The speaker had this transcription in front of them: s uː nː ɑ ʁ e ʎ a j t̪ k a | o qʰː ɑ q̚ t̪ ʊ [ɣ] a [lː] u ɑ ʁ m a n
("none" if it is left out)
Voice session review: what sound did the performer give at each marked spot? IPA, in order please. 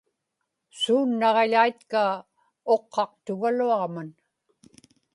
ɣ, l

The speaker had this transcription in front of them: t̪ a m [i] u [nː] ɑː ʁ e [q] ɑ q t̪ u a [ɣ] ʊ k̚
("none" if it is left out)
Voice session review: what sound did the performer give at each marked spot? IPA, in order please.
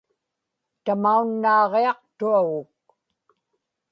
a, nː, none, ɣ

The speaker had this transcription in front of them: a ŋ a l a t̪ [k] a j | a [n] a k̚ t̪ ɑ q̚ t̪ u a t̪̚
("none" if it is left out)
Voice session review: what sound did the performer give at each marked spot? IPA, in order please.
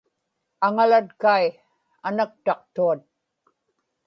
k, n

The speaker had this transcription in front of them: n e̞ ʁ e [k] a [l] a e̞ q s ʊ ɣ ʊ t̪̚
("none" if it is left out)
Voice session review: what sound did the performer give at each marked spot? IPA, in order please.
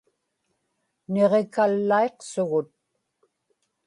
k, lː

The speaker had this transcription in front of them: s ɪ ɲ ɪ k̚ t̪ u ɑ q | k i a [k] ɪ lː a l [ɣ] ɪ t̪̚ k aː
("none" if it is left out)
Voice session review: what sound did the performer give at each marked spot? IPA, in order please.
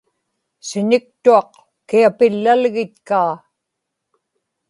p, ɣ

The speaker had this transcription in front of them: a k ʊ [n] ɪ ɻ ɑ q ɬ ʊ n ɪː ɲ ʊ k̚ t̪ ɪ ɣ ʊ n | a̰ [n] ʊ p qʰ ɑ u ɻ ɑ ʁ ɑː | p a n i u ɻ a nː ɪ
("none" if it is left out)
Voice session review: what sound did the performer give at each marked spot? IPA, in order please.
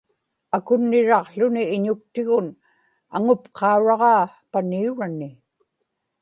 nː, ŋ

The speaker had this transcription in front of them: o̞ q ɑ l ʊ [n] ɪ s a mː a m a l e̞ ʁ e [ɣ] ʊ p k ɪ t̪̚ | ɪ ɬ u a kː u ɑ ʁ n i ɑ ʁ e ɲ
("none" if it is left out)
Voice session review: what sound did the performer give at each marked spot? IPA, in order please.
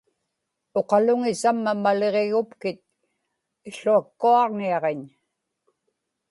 ŋ, ɣ

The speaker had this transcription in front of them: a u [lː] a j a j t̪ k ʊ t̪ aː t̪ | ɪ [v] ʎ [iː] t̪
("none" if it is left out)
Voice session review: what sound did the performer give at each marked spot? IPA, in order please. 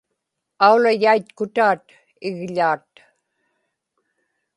l, ɣ, aː

